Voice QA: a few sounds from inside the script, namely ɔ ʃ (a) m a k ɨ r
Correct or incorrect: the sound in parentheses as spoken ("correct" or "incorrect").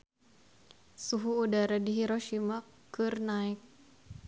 incorrect